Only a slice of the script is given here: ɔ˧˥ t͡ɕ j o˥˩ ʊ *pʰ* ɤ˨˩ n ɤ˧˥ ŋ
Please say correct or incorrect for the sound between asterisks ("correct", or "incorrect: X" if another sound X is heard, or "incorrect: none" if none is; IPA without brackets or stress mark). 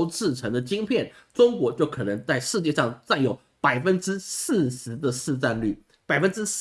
incorrect: kʰ